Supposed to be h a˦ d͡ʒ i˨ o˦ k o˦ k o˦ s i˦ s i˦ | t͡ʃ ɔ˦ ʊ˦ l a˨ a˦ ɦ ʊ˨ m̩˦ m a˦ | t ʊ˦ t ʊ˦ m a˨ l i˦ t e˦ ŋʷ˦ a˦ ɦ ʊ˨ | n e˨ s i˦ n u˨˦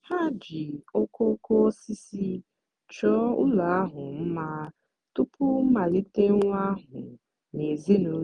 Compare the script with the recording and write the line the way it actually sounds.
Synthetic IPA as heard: h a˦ d͡ʒ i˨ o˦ k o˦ k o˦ s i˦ s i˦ | t͡ʃ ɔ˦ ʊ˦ l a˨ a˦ ɦ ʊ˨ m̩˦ m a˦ | t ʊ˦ p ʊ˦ m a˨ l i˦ t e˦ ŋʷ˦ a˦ ɦ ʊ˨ | n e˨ z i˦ n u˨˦